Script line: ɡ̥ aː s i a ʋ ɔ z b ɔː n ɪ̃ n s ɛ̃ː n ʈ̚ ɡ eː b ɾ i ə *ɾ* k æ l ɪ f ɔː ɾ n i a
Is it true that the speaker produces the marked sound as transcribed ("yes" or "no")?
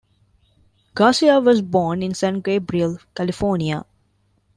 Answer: no